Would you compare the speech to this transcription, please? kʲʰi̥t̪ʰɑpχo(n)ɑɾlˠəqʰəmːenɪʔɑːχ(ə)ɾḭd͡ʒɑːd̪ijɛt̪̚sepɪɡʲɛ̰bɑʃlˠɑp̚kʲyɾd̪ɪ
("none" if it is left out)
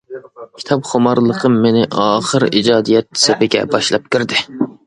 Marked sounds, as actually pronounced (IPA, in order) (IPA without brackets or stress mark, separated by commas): m, ə